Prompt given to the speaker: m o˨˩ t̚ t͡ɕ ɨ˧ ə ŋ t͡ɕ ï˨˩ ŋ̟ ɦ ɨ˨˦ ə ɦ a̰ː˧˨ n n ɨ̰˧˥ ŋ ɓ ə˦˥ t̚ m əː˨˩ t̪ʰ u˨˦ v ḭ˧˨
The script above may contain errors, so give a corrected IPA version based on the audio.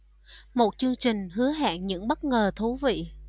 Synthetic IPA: m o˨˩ t̚ t͡ɕ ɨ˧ ə ŋ t͡ɕ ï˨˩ ŋ̟ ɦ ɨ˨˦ ə ɦ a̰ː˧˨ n ɲ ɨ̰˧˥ ŋ ɓ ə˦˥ t̚ ŋ əː˨˩ t̪ʰ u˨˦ v ḭ˧˨